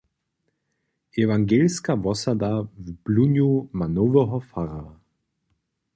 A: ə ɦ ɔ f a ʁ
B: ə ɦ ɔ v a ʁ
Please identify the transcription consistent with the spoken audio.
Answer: A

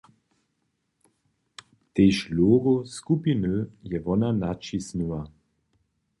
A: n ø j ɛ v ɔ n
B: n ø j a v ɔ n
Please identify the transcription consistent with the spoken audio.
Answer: A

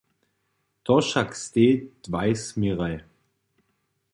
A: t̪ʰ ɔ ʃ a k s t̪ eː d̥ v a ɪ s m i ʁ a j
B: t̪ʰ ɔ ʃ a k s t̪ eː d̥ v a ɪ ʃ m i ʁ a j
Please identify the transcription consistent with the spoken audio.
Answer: A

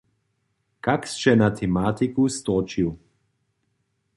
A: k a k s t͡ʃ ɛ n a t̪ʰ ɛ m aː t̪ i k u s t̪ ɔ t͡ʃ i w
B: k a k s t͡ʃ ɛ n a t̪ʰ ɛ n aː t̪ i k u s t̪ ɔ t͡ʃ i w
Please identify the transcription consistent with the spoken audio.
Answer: A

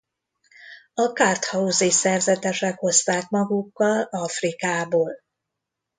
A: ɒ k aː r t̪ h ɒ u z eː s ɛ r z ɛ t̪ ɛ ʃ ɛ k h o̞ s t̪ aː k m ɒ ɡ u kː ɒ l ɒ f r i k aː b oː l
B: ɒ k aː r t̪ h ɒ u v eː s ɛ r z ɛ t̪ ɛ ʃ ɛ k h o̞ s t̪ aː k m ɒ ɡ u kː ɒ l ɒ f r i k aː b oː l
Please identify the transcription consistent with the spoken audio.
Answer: A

